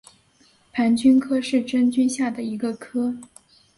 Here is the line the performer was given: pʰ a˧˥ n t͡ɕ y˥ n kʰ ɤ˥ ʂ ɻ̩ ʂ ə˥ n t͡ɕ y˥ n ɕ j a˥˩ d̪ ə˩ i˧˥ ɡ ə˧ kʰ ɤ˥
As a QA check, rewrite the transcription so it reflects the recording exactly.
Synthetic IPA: pʰ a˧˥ n t͡ɕ y˥ n kʰ ɤ˥ ʂ ɻ̩ ʈ͡ʂ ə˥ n t͡ɕ y˥ n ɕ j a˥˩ d̪ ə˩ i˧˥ ɡ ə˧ kʰ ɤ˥